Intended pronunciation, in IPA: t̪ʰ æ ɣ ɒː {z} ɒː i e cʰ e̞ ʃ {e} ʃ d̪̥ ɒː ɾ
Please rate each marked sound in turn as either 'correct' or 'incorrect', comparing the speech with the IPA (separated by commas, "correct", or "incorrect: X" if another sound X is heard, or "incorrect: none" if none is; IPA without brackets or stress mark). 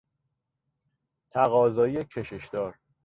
correct, correct